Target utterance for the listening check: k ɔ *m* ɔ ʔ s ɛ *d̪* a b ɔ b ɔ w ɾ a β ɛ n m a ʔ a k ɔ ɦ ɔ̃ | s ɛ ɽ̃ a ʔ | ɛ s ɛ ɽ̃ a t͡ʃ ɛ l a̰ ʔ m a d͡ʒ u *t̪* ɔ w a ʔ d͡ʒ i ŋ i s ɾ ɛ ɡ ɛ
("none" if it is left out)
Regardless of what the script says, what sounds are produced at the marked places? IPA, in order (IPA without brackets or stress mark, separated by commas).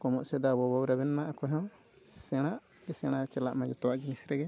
m, d̪, t̪